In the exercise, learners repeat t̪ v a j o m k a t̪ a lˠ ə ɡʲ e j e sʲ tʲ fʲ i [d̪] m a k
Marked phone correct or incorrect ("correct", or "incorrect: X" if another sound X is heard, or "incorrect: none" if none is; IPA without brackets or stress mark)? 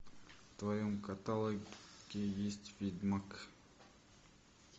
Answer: correct